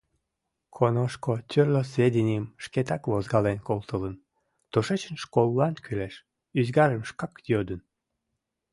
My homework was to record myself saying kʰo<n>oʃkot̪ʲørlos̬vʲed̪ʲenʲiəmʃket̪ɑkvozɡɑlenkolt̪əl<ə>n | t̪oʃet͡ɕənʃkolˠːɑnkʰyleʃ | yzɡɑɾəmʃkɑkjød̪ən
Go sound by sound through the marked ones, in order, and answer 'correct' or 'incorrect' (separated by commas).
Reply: correct, correct